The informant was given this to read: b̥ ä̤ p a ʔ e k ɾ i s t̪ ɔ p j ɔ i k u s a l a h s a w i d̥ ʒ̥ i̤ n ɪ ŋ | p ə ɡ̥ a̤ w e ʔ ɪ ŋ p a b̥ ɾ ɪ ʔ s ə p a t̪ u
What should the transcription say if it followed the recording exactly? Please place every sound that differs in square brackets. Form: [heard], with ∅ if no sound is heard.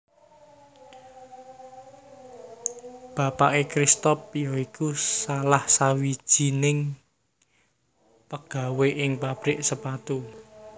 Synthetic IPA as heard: b̥ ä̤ p a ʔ e k ɾ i s t̪ ɔ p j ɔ i k u s a l a h s a w i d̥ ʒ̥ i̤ n ɪ ŋ | p ə ɡ̥ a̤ w e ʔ ɪ ŋ p a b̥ ɾ ɪ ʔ s ə p a t̪ u